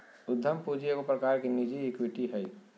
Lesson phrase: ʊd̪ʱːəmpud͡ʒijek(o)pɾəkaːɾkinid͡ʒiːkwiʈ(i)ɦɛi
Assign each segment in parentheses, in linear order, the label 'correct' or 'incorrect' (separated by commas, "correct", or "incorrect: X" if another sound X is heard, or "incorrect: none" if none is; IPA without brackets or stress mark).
correct, correct